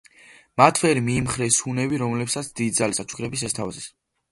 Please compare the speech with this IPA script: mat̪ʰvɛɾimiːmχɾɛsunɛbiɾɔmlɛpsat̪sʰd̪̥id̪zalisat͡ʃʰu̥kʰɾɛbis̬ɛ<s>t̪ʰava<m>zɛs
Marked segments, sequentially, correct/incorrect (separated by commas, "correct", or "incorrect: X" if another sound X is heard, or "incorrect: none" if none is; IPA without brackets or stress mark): correct, incorrect: none